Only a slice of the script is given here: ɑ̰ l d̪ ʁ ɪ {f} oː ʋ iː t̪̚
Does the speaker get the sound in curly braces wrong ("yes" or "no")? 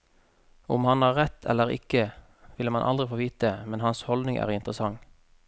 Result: no